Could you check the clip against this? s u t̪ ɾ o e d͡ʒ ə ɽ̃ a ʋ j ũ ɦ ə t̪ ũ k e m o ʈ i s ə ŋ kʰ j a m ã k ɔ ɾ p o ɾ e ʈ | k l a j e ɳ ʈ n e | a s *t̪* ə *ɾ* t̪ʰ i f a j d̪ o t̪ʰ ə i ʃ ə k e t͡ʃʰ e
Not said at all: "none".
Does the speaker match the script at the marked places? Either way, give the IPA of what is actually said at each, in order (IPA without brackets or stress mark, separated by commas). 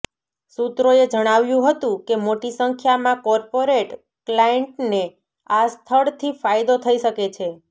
t̪ʰ, ɭ